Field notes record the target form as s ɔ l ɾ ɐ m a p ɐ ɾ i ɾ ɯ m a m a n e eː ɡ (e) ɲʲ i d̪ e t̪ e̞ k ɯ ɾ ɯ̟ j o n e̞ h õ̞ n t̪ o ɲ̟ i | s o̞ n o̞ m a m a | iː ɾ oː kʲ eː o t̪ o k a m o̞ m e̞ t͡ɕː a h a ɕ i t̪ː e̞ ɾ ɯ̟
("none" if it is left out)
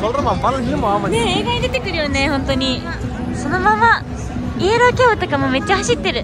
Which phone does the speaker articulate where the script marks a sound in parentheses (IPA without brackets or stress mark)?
a